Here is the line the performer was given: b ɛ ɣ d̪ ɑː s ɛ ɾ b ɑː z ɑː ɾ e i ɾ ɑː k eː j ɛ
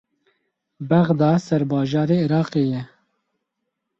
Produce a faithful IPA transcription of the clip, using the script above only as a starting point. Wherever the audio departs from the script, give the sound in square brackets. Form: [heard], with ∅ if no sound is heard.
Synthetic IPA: b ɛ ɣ d̪ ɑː s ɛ ɾ b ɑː [ʒ] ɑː ɾ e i ɾ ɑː [q] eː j ɛ